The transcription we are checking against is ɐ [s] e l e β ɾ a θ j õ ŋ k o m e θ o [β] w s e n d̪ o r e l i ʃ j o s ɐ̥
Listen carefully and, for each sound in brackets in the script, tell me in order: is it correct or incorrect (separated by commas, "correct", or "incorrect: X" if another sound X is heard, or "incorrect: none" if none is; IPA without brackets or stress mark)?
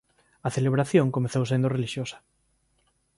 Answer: incorrect: θ, incorrect: none